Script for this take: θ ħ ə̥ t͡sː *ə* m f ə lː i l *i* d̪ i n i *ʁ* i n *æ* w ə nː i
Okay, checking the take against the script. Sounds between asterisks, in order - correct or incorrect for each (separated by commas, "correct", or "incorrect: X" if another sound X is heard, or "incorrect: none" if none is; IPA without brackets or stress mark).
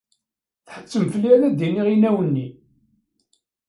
correct, incorrect: æ, correct, correct